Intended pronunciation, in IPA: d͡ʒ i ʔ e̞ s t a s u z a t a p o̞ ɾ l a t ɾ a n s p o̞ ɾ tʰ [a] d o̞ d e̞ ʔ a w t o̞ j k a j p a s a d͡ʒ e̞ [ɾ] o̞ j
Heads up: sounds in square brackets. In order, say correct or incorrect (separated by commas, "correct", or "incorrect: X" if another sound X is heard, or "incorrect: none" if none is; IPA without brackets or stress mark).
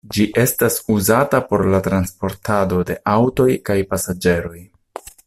correct, correct